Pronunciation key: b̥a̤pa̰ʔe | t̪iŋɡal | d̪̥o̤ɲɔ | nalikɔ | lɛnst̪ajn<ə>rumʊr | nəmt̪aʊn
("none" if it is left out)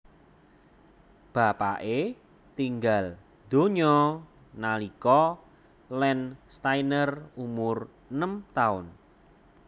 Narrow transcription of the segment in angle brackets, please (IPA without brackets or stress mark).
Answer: ə